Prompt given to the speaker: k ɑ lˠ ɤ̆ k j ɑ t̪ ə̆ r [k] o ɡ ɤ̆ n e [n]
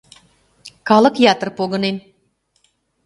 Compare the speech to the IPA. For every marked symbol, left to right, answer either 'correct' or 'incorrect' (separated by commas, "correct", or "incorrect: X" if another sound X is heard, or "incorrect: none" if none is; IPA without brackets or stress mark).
incorrect: p, correct